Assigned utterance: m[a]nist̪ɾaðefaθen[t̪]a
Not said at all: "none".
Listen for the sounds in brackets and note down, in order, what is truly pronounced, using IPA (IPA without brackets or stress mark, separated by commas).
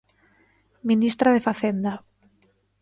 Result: i, d̪